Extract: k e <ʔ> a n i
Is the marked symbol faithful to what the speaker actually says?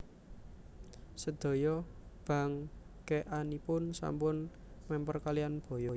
yes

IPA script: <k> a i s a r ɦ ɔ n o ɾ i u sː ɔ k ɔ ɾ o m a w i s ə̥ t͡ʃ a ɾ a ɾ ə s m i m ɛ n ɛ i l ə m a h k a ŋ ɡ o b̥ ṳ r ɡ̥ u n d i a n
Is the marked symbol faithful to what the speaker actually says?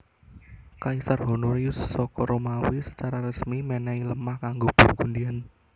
yes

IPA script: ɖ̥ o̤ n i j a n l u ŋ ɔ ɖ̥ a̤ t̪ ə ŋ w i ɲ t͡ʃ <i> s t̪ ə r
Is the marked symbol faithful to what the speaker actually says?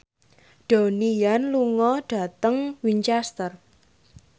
no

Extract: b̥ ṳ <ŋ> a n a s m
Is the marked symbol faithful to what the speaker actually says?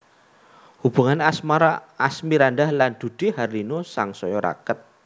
yes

